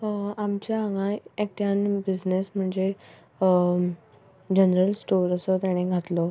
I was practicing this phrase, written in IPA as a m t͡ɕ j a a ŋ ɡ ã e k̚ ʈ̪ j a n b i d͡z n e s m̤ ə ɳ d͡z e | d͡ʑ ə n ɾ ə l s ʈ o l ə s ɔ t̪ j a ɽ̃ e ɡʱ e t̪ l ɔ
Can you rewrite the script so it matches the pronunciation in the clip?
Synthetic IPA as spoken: a m t͡ɕ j a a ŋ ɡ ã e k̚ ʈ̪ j a n b i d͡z n e s m̤ ə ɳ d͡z e | d͡ʑ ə n ɾ ə l s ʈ o ɾ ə s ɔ t̪ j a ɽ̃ e ɡʱ a t̪ l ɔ